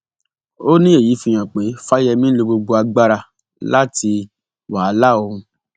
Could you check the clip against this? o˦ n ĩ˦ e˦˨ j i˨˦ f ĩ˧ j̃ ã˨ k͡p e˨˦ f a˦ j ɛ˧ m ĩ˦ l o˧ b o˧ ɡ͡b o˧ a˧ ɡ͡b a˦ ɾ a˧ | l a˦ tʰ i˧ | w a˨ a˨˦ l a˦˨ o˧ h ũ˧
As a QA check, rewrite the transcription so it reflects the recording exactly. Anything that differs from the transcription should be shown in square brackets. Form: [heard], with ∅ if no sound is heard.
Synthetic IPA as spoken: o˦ n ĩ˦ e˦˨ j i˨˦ f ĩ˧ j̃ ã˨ k͡p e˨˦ f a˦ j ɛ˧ m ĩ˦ l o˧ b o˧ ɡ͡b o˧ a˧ ɡ͡b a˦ ɾ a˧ | l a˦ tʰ i˧ | w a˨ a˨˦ l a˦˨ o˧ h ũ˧